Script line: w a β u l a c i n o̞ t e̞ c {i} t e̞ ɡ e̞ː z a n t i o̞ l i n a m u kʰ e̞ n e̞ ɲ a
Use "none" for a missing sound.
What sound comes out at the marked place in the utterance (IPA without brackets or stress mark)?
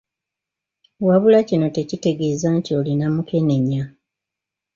i